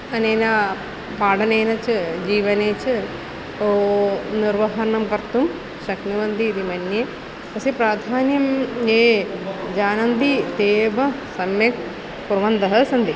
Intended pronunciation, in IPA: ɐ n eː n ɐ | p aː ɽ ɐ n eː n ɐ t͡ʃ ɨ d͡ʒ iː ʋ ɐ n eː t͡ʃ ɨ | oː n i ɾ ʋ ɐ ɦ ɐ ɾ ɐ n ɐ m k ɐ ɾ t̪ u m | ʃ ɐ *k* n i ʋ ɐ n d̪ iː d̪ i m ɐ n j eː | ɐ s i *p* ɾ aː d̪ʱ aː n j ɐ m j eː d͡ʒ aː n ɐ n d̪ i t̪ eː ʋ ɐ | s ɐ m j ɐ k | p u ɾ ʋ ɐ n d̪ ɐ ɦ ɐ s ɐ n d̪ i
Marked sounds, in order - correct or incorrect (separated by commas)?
correct, correct